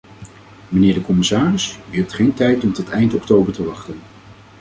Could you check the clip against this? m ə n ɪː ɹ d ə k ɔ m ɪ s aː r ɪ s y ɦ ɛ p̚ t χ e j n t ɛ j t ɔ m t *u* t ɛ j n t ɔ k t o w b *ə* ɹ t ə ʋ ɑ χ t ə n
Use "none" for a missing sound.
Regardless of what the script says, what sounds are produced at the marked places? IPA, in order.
ɔ, ə

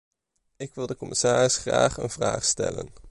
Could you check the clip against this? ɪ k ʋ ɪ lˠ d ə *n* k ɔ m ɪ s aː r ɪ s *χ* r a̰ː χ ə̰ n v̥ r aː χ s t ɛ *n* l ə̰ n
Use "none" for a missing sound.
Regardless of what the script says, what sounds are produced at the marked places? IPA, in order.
none, χ, none

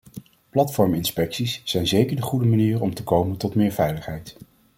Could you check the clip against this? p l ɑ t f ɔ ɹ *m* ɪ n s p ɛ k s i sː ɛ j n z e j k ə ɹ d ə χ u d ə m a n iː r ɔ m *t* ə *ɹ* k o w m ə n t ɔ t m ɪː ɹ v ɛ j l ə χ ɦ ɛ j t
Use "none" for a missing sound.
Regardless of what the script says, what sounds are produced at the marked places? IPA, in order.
m, t, none

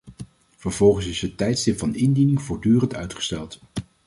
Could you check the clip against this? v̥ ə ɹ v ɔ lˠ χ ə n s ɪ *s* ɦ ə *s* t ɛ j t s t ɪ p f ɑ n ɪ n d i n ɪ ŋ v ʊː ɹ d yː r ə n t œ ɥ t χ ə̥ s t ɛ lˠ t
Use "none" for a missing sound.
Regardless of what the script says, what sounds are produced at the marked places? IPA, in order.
s, none

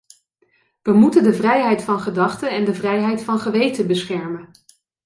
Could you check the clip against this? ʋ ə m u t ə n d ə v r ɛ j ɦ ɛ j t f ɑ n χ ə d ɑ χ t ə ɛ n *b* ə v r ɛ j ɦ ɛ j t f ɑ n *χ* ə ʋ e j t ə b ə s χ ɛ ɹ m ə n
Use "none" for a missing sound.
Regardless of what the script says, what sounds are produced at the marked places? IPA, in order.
d, χ

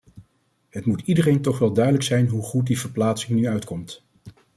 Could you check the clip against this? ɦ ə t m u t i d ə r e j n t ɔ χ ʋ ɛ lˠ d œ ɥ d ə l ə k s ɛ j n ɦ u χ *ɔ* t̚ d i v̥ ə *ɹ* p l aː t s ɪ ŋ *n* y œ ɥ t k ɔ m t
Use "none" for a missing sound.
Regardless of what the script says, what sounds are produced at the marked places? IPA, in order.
u, ɹ, n

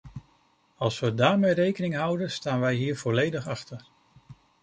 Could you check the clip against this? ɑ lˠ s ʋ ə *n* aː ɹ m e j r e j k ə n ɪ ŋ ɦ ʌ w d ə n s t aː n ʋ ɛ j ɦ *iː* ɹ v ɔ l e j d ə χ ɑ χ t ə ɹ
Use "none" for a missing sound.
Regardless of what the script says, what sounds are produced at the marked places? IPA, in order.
d, iː

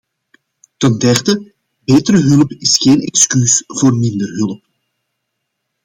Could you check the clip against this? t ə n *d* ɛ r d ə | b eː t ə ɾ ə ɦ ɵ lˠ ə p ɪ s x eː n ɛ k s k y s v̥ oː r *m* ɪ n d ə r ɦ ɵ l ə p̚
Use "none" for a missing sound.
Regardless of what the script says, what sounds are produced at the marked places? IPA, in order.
d, m

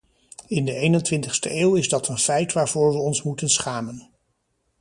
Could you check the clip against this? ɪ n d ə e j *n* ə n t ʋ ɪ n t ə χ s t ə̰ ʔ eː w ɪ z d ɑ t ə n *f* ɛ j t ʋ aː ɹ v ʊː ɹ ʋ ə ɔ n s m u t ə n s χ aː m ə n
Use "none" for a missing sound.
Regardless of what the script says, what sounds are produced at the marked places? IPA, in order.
n, f

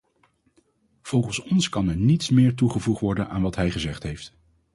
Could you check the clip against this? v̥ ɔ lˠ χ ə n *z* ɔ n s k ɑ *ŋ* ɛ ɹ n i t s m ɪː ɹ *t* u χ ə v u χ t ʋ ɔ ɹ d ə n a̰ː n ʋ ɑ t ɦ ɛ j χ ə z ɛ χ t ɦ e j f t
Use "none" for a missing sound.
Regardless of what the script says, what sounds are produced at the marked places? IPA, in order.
s, n, t

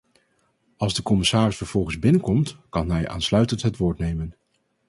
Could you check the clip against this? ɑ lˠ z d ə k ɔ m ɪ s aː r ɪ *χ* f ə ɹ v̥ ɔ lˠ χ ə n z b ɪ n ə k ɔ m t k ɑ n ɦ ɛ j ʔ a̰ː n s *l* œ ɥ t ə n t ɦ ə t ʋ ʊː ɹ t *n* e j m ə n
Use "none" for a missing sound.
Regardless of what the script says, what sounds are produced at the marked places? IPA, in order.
s, l, n

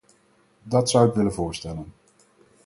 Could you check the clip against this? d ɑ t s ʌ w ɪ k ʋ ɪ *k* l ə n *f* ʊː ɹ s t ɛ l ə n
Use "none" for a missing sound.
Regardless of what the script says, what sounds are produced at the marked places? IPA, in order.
none, v

